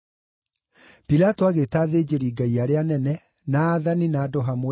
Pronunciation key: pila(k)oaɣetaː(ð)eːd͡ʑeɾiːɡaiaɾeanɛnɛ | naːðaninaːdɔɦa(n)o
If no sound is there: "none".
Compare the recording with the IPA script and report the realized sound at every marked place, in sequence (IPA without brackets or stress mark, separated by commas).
t, ð, m